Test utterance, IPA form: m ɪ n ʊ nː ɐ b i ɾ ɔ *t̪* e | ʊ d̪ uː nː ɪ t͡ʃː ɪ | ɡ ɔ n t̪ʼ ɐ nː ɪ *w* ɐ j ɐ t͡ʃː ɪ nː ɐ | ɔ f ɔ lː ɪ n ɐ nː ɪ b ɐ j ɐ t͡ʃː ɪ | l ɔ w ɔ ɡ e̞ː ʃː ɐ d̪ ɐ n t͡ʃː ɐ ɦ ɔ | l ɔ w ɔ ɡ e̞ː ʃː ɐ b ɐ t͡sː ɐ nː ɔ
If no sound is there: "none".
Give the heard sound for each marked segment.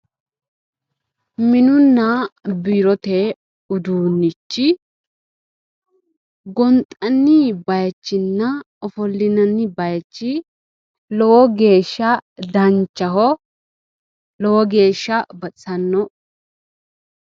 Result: t̪, b

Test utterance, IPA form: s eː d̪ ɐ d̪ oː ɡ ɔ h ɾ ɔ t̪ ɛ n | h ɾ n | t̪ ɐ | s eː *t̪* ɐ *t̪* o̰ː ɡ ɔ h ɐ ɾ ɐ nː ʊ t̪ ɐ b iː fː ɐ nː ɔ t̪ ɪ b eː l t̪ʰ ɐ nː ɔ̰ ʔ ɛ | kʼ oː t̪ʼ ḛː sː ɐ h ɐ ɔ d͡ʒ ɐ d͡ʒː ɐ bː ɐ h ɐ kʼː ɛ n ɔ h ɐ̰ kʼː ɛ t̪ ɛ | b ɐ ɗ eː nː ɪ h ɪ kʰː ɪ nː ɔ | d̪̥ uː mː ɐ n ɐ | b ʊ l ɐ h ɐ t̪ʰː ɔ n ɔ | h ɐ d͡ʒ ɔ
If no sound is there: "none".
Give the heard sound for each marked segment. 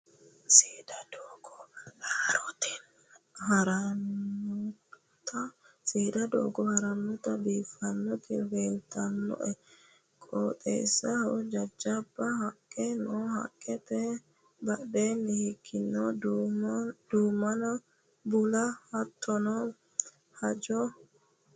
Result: d̪, d̪

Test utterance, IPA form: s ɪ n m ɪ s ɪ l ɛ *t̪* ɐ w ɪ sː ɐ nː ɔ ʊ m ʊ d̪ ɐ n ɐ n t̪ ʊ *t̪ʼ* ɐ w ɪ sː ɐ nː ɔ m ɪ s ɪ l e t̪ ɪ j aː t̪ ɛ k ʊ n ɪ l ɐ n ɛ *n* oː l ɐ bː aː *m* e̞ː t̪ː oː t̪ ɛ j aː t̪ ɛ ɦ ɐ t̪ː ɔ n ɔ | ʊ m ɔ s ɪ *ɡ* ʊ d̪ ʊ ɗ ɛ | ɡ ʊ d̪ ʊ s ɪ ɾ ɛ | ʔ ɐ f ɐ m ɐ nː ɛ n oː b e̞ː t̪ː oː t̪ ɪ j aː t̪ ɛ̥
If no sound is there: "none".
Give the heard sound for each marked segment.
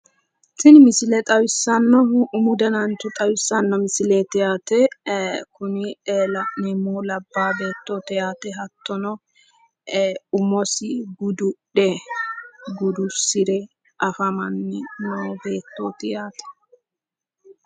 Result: t̪ʼ, t̪ʼ, m, b, ɡ

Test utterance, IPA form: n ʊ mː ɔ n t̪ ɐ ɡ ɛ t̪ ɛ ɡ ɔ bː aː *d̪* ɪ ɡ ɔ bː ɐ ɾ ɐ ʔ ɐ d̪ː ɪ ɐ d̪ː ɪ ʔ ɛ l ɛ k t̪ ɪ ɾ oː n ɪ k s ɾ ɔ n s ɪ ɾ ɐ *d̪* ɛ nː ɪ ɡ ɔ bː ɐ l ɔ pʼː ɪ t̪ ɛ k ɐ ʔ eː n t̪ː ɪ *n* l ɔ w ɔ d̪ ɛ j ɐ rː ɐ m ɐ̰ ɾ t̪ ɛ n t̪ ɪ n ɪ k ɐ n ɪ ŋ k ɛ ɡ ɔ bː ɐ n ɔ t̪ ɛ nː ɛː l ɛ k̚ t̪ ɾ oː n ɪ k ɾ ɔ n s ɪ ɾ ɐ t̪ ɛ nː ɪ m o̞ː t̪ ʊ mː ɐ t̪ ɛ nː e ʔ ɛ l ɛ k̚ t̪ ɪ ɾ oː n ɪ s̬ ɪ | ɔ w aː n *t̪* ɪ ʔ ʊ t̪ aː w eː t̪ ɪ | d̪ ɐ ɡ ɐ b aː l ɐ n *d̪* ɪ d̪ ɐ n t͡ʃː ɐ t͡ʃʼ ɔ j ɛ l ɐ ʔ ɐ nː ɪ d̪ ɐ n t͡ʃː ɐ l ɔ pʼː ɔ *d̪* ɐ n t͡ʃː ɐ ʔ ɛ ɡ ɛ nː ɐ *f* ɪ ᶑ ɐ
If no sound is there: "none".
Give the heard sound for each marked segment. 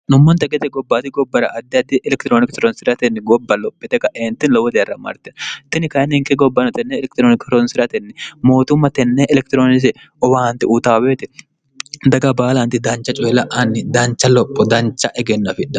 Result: t̪, t̪, n, t̪, t̪, d̪, f

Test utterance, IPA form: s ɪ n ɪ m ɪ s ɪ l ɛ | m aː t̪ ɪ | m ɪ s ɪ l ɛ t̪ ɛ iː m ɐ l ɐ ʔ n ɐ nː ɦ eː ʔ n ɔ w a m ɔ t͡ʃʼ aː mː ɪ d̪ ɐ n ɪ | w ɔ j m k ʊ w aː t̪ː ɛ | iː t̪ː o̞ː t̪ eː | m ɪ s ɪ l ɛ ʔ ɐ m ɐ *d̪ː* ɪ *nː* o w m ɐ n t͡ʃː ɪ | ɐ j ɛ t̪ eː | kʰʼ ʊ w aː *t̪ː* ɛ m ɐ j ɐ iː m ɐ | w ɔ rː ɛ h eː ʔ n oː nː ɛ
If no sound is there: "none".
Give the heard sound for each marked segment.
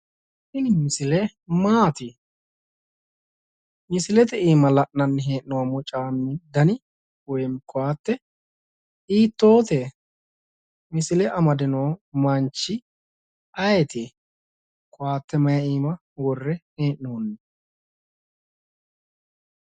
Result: d̪, n, t̪ː

